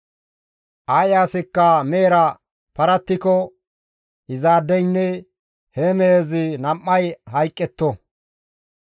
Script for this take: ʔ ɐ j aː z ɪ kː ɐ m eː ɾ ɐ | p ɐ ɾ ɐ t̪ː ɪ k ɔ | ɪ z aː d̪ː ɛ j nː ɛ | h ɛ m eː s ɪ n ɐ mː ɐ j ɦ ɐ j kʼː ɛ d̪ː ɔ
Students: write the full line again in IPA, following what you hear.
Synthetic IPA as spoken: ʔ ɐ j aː s ɪ kː ɐ m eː ɾ ɐ | p ɐ ɾ ɐ t̪ː ɪ k ɔ | ɪ z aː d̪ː ɛ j nː ɛ | h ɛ m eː z ɪ n ɐ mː ɐ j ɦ ɐ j kʼː ɛ t̪ː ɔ